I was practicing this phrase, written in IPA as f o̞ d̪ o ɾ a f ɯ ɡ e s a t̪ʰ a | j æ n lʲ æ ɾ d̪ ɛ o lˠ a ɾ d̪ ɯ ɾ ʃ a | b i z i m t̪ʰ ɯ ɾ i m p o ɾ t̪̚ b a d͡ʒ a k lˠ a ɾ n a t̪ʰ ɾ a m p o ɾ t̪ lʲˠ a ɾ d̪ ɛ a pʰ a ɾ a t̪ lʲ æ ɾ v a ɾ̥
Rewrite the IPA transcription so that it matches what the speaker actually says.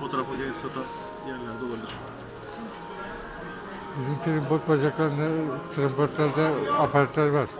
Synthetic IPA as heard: f o̞ t̪ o ɾ a f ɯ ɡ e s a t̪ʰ a | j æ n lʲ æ ɾ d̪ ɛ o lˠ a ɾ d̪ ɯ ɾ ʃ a | b i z i m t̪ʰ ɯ ɾ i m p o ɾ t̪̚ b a d͡ʒ a k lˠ a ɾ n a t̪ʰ ɾ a m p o ɾ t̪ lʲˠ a ɾ d̪ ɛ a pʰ a ɾ a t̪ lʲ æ ɾ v a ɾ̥